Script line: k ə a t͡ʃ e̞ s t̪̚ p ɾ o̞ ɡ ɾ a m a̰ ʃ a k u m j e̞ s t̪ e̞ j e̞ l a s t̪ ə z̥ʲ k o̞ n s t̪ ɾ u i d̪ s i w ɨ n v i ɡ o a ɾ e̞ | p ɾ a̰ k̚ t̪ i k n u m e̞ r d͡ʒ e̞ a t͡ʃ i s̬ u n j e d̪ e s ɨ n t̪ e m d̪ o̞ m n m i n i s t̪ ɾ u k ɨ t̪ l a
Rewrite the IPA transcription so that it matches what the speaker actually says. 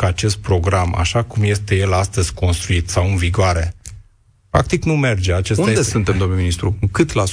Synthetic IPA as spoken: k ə a t͡ʃ e̞ s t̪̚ p ɾ o̞ ɡ ɾ a m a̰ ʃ a k u m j e̞ s t̪ e̞ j e̞ l a s t̪ ə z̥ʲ k o̞ n s t̪ ɾ u i t̪ s a w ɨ n v i ɡ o a ɾ e̞ | p ɾ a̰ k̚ t̪ i k n u m e̞ r d͡ʒ e̞ a t͡ʃ e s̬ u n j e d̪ e s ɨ n t̪ e m d̪ o̞ m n m i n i s t̪ ɾ u k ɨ t̪ l a